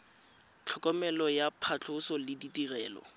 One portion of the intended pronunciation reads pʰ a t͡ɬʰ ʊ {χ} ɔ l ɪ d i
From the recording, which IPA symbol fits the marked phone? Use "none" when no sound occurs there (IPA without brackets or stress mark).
s